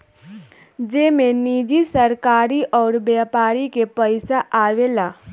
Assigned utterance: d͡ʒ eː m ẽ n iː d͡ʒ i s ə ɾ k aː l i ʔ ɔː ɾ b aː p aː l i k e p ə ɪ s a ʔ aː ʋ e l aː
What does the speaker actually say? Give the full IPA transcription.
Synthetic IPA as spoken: d͡ʒ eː m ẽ n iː d͡ʒ i s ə ɾ k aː ɾ i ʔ ɔː ɾ b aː p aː ɾ i k e p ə ɪ s a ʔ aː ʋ e l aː